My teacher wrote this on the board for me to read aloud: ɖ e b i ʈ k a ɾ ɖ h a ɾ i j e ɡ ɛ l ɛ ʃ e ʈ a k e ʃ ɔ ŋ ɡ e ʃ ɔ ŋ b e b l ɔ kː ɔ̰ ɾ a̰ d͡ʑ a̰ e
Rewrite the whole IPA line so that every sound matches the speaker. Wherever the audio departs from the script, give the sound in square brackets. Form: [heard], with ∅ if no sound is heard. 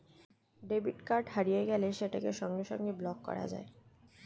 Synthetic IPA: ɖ e b i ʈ k a ɾ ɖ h a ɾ i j e ɡ ɛ l [e] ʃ e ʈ a k e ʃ ɔ ŋ ɡ e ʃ ɔ ŋ [ɡ] e b l ɔ kː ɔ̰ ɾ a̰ d͡ʑ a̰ e